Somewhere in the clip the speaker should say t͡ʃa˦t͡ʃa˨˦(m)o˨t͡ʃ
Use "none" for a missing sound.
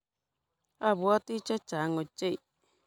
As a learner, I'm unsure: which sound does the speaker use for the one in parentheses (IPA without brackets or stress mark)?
ŋ